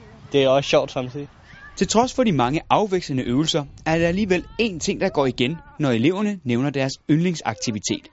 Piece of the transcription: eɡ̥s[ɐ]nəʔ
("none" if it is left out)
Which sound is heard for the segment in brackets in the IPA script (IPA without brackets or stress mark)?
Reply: ə